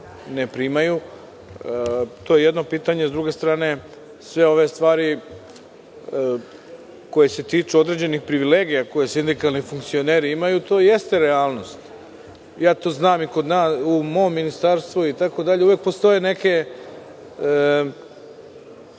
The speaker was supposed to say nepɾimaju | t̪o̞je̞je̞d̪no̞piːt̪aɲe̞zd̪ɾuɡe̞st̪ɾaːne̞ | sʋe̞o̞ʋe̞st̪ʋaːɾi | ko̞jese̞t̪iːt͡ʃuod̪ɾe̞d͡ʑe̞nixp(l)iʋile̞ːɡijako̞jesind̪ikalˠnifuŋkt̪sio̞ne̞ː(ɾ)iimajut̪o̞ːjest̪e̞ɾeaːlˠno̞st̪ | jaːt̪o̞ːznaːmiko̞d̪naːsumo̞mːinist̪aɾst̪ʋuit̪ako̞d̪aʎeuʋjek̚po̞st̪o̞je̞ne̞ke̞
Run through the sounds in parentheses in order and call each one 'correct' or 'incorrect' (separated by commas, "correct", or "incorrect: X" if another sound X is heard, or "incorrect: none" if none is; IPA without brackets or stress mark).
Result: incorrect: ɾ, correct